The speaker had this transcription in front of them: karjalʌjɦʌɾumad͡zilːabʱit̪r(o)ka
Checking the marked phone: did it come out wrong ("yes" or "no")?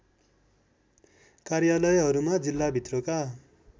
no